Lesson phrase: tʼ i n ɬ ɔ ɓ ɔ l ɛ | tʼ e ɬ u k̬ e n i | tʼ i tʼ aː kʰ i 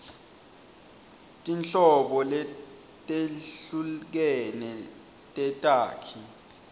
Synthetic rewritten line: tʼ i n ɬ ɔ ɓ ɔ l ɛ | tʼ e ɬ u k̬ ɛ n ɛ | tʼ ɛ tʼ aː kʰ i